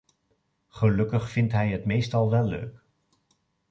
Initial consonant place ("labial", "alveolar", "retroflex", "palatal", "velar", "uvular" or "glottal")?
uvular